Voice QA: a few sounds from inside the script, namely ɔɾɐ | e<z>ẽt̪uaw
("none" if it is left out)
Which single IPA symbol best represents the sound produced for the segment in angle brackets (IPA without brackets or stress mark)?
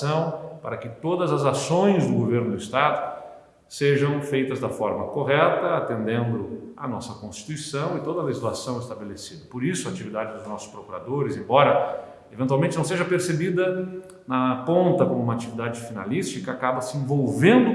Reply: v